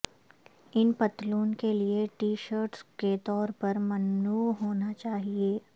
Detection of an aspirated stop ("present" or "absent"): absent